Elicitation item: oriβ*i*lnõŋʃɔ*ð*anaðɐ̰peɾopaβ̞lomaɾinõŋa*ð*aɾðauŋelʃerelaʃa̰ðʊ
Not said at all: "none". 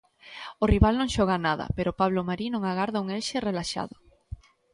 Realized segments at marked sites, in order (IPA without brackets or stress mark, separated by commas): a, ɣ, ɣ